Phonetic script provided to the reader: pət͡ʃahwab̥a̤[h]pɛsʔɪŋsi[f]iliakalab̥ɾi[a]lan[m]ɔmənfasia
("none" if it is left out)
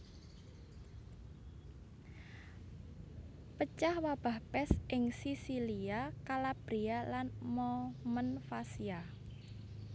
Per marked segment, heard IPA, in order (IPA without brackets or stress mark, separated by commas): h, s, a, m